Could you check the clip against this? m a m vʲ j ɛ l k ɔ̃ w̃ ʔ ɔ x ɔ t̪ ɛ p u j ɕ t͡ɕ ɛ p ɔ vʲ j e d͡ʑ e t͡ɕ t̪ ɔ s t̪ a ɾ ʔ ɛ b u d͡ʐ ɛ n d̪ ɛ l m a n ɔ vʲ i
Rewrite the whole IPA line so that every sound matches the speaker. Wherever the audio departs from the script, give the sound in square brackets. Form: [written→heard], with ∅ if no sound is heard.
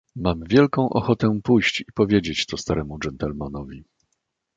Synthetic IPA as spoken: m a m vʲ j ɛ l k ɔ̃ w̃ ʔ ɔ x ɔ t̪ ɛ p u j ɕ t͡ɕ [ɛ→i] p ɔ vʲ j e d͡ʑ e t͡ɕ t̪ ɔ s t̪ a ɾ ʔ ɛ [b→m] u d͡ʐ ɛ n [d̪→t̪] ɛ l m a n ɔ vʲ i